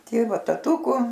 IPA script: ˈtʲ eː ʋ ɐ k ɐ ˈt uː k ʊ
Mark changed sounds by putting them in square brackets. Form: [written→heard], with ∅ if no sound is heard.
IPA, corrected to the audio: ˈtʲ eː ʋ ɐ [k→t] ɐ ˈt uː k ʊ